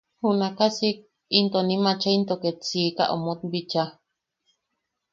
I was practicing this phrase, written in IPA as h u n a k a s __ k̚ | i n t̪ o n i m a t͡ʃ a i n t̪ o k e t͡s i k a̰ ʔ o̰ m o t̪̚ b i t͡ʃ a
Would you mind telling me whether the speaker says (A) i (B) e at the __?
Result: A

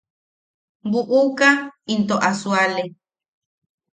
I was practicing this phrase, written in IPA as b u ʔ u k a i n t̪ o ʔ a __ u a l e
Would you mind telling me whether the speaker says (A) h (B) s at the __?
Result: B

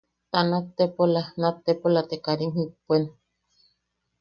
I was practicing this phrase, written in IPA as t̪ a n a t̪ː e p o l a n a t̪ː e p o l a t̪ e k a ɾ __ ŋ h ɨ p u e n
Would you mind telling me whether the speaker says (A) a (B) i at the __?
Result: B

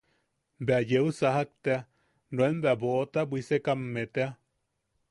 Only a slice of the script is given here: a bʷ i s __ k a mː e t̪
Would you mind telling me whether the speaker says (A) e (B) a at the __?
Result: A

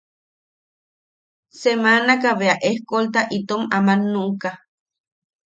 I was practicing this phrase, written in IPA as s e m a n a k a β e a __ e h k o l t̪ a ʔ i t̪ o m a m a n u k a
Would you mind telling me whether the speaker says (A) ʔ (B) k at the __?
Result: A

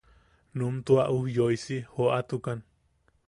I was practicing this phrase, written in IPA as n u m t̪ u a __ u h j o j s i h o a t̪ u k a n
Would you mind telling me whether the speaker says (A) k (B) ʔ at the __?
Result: B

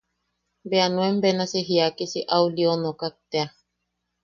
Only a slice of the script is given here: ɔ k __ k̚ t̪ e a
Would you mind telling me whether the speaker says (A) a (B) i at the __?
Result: A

